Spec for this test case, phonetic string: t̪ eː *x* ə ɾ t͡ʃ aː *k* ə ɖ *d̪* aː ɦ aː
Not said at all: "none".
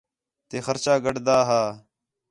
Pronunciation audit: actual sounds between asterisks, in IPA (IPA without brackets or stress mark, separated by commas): x, ɡ, d̪